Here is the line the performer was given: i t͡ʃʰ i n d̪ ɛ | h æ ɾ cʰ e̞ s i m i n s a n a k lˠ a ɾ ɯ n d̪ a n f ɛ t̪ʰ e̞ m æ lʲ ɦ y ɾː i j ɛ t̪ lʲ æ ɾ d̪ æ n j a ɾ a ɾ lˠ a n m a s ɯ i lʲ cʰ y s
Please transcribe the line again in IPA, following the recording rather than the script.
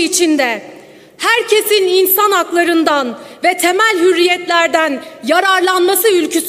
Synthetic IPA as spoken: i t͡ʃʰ i n d̪ ɛ | h æ ɾ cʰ e̞ s i n i n s a n a k lˠ a ɾ ɯ n d̪ a n v ɛ t̪ʰ e̞ m æ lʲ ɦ y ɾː i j ɛ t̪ lʲ æ ɾ d̪ æ n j a ɾ a ɾ lˠ a n m a s ɯ y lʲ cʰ y s